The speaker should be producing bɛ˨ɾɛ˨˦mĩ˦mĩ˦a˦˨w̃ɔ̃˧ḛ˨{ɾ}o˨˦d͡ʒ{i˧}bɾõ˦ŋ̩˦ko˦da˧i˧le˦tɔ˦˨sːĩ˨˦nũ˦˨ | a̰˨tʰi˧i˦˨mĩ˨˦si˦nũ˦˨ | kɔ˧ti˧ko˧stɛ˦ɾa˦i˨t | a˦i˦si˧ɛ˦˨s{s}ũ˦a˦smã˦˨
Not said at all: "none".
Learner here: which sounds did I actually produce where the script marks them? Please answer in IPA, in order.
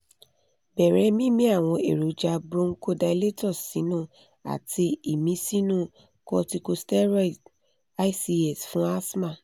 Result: ɾ, a˧, f

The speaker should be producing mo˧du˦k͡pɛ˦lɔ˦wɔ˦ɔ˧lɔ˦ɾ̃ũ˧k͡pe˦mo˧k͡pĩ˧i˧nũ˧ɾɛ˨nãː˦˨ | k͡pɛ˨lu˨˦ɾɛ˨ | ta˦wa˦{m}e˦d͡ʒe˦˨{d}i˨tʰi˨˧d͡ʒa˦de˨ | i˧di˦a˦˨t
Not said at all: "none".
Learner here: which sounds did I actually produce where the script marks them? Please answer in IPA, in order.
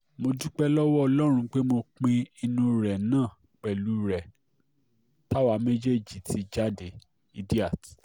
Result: m, d͡ʒ

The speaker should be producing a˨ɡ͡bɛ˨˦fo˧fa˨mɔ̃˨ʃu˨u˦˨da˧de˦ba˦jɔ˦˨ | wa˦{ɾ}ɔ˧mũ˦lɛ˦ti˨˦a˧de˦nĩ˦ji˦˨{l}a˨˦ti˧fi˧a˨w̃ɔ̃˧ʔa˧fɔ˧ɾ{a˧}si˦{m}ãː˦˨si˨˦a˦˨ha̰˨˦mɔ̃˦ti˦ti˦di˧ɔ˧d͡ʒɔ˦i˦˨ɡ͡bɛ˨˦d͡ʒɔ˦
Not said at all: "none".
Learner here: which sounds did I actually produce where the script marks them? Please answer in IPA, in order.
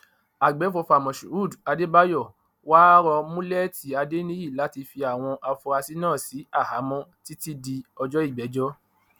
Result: ɾ, l, a˧, n

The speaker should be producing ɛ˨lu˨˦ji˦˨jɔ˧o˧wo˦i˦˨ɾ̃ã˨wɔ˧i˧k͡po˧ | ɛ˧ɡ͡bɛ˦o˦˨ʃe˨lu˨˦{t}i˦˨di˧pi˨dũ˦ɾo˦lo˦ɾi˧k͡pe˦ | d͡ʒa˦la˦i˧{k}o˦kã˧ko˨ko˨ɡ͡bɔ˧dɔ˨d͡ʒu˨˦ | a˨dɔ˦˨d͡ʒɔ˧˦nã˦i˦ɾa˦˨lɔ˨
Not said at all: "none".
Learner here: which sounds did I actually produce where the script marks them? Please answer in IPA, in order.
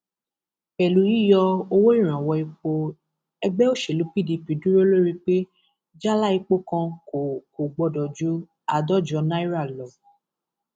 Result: p, k͡p

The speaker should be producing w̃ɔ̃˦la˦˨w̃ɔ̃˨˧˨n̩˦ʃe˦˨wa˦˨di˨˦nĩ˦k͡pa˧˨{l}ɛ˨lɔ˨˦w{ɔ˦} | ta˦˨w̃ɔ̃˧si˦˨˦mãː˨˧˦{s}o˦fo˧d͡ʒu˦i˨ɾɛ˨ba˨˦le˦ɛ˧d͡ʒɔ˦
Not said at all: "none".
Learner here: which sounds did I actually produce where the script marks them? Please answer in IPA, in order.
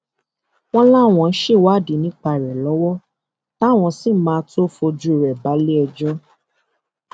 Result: ɾ, ɔ˦, t

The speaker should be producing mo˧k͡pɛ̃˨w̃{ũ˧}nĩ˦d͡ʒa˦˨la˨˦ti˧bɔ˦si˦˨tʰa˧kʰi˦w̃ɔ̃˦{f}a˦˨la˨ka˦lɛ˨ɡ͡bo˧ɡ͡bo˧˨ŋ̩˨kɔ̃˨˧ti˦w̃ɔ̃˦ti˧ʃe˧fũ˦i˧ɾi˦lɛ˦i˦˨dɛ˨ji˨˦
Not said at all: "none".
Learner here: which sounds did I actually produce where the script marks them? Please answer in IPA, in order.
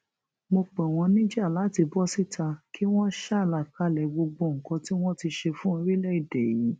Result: ɔ̃˧, ʃ

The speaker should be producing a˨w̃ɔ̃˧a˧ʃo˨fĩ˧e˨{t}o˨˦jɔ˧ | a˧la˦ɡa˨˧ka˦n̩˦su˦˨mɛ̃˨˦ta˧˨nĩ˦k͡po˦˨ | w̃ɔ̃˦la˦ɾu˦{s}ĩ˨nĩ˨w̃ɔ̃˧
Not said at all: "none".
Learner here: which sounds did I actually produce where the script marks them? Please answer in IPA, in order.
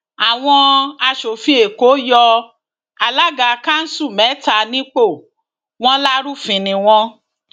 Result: k, f

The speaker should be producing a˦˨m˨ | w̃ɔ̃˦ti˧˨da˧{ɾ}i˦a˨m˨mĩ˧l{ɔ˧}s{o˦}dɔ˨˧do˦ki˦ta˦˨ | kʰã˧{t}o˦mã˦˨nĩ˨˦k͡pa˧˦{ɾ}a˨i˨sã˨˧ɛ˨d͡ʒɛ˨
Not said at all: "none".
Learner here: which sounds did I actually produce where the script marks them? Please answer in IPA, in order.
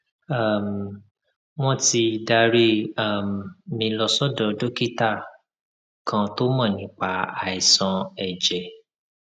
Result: ɾ, ɔ˧, ɔ˦, t, none

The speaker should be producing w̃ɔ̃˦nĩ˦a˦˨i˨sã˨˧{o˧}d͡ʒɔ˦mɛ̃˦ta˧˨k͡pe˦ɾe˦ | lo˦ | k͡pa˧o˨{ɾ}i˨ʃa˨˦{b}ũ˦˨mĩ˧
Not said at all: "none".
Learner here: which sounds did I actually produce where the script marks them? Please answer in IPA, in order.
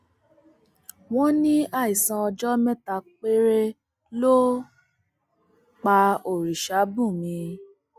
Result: ɔ˧, ɾ, b

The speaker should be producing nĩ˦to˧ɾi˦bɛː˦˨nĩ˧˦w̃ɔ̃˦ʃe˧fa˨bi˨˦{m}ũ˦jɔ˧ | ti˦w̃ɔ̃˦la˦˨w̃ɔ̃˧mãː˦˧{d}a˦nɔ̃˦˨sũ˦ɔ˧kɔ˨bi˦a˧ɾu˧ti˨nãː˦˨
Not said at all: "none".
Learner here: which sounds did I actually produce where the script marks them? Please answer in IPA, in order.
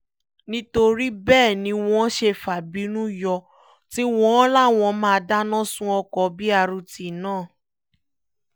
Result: n, d

